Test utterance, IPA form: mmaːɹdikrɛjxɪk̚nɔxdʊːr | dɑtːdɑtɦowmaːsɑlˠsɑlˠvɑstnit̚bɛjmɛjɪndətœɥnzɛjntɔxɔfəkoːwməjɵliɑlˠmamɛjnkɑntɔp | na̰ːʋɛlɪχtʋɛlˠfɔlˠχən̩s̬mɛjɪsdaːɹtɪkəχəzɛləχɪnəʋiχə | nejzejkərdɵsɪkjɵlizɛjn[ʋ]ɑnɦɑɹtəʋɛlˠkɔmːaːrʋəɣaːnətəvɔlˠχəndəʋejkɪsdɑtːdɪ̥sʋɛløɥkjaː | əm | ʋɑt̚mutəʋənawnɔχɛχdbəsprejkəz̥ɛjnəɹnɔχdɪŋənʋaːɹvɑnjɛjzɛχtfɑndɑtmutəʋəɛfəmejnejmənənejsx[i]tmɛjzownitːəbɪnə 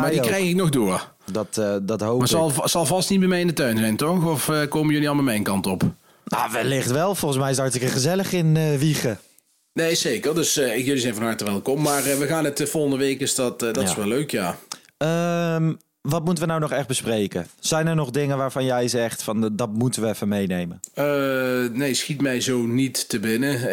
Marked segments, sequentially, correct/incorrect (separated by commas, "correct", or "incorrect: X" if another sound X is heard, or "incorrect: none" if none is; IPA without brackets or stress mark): incorrect: v, correct